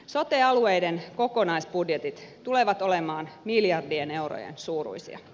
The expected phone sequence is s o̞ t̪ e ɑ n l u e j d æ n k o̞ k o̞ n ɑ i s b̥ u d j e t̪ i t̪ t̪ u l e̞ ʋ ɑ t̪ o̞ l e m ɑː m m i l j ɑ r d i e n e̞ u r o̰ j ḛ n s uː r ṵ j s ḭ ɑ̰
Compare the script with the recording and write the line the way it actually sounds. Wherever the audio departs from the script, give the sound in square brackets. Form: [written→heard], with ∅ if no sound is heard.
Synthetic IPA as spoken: s o̞ t̪ e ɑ [n→∅] l u e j d [æ→e] n k o̞ k o̞ n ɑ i s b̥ u d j e t̪ i t̪ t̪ u l e̞ ʋ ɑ t̪ o̞ l e m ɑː [m→n] m i l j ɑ r d i e n e̞ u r o̰ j ḛ n s uː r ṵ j s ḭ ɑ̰